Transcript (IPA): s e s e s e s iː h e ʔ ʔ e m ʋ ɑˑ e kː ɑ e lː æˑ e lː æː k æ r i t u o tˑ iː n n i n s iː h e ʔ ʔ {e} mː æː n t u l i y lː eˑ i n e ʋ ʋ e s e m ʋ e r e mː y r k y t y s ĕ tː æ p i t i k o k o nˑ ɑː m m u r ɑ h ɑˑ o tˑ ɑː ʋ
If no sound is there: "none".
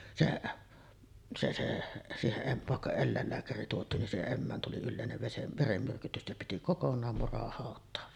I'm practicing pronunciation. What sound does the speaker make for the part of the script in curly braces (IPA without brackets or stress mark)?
e